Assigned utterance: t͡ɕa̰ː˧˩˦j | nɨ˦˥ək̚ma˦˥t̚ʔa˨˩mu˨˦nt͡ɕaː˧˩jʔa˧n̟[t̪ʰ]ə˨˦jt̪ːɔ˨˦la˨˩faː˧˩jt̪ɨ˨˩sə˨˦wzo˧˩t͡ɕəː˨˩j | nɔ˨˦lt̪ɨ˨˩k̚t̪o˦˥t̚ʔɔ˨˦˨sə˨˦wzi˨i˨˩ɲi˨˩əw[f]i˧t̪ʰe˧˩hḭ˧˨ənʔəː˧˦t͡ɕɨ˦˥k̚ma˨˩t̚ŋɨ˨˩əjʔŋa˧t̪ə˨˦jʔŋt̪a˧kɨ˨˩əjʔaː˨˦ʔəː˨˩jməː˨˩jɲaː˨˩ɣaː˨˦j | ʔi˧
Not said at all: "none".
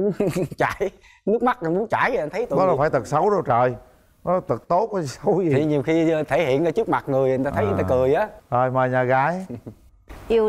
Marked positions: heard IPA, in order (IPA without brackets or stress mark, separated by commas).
t̪ʰ, x